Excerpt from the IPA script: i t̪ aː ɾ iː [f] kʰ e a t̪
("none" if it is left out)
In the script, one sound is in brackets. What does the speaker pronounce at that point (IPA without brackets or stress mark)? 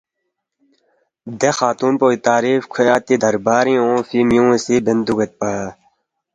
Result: f